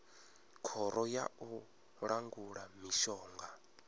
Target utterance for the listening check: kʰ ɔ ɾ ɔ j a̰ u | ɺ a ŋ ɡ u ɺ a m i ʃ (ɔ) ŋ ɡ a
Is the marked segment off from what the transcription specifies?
yes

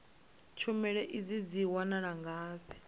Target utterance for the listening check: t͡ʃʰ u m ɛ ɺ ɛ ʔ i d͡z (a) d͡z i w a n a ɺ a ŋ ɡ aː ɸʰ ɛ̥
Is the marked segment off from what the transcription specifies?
yes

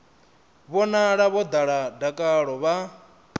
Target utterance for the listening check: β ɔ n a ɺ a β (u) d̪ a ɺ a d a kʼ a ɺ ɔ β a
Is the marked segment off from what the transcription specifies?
yes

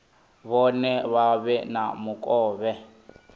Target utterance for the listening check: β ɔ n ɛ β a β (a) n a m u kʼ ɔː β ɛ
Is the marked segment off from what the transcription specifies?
yes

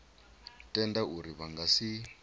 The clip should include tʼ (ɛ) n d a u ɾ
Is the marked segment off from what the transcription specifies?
no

